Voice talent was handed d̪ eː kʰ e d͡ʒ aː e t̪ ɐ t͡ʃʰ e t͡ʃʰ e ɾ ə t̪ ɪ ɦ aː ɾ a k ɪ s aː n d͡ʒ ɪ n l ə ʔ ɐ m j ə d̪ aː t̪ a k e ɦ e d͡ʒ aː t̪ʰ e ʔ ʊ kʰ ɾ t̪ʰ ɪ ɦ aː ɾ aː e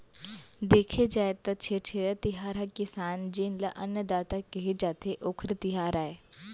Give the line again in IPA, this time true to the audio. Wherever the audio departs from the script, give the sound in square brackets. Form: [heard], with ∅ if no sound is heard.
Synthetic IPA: d̪ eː kʰ e d͡ʒ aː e t̪ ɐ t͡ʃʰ e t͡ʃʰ e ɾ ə t̪ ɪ ɦ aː ɾ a k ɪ s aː n d͡ʒ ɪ n l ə ʔ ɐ [n] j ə d̪ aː t̪ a k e ɦ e d͡ʒ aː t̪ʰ e ʔ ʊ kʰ ɾ [t̪] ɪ ɦ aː ɾ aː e